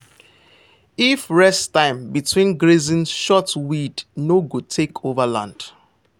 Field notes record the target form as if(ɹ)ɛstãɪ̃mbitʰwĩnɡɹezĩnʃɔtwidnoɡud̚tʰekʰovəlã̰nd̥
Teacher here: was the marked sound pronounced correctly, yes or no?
yes